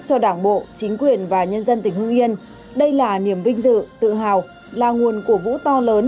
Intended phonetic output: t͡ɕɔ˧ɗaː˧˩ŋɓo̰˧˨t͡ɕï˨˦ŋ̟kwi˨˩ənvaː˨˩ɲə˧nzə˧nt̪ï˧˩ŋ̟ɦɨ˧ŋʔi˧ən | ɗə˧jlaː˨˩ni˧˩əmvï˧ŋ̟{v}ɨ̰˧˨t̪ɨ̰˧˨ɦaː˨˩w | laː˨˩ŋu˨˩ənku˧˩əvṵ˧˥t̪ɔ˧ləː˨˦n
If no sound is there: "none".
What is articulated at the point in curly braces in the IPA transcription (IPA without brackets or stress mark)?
z